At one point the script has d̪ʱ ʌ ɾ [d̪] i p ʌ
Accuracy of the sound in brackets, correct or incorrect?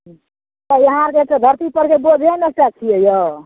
incorrect